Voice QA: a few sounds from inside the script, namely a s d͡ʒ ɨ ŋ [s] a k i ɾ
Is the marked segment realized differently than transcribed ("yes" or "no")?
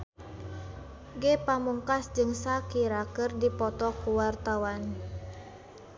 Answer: no